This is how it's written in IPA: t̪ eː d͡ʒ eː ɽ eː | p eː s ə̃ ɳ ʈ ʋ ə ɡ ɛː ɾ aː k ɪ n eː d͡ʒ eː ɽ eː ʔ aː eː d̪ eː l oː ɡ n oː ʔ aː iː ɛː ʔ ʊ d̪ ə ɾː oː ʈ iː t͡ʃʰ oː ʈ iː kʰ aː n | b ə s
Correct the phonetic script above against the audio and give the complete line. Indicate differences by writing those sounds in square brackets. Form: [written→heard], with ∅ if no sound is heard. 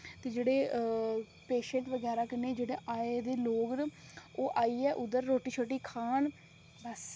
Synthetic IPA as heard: t̪ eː d͡ʒ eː ɽ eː | p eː [s→ʃ] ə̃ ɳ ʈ ʋ ə ɡ ɛː ɾ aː k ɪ n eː d͡ʒ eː ɽ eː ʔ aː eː d̪ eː l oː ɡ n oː ʔ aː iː ɛː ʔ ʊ d̪ ə ɾː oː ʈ iː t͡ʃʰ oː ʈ iː kʰ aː n | b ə s